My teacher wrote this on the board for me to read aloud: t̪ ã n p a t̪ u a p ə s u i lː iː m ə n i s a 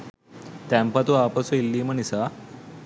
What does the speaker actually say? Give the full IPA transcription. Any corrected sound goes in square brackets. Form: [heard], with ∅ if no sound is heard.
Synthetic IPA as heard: t̪ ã [m] p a t̪ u a p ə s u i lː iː m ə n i s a